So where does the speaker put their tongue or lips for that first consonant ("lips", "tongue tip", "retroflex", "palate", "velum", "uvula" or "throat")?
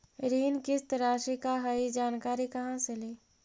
tongue tip